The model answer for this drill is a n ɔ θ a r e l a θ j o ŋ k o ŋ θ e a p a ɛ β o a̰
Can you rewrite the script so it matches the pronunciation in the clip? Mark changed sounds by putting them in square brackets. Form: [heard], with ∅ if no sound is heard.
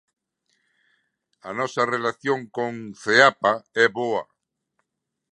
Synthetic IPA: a n ɔ [s] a r e l a θ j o ŋ k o ŋ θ e a p a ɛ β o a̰